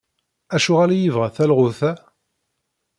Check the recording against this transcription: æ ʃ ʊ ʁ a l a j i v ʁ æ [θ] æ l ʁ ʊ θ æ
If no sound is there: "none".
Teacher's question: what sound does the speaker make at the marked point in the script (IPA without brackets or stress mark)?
θ